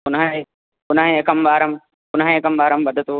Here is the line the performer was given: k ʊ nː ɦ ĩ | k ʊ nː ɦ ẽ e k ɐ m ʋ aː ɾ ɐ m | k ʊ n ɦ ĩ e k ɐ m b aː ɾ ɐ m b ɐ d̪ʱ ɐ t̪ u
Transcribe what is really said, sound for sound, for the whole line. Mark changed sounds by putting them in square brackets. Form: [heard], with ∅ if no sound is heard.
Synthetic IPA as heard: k ʊ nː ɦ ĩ | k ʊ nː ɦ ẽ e k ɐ m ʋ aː ɾ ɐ m | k ʊ n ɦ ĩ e k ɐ m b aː ɾ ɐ m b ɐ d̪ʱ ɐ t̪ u